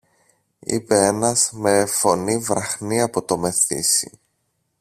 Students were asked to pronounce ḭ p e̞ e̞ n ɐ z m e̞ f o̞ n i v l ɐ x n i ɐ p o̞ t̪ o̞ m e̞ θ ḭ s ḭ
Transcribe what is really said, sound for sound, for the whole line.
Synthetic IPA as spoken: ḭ p e̞ e̞ n ɐ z m e̞ f o̞ n i v ɾ ɐ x n i ɐ p o̞ t̪ o̞ m e̞ θ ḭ s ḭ